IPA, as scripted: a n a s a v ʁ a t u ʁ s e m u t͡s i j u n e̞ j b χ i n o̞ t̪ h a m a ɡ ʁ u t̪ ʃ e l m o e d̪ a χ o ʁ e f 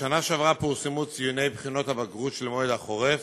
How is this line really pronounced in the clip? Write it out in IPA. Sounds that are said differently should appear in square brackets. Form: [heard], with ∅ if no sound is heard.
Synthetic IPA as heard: a n a [ʃ] a v ʁ a [p] u ʁ s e m u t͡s i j u n e̞ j b χ i n o̞ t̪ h a [b] a ɡ ʁ u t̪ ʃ e l m o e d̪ a χ o ʁ e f